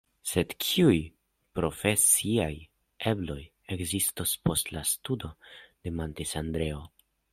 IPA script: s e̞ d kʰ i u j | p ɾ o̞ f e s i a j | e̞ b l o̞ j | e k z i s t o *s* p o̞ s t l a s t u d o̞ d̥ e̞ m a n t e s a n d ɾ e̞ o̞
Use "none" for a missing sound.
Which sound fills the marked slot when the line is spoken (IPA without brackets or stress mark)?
s